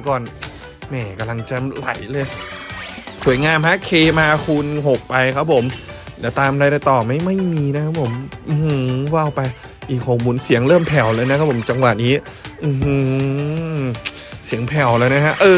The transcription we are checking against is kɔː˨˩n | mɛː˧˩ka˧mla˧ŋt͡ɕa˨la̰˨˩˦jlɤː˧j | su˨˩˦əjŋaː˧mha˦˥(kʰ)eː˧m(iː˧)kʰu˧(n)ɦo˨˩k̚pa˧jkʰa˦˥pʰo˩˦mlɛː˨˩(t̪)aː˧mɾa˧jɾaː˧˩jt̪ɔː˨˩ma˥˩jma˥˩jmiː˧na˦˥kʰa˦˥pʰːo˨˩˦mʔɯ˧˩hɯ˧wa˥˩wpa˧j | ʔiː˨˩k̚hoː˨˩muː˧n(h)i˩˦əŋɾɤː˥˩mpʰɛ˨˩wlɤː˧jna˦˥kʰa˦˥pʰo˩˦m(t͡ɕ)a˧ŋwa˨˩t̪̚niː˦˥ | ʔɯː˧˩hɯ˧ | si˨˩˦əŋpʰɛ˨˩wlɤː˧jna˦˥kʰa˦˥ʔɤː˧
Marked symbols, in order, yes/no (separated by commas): yes, no, yes, yes, no, yes